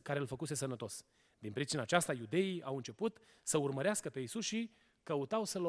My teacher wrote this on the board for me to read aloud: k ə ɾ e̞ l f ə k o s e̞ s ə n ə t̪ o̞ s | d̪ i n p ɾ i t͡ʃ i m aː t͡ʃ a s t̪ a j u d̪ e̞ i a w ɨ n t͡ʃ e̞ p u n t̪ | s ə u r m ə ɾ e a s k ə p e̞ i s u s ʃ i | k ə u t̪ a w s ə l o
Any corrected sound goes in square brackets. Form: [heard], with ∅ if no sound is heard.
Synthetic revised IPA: k [a] ɾ e̞ l f ə k [u] s e̞ s ə n ə t̪ o̞ s | d̪ i n p ɾ i t͡ʃ i [n] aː t͡ʃ a s t̪ a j u d̪ e̞ i a w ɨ n t͡ʃ e̞ p u [∅] t̪ | s ə u r m ə ɾ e a s k ə p e̞ i s u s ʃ i | k ə u t̪ a w s ə l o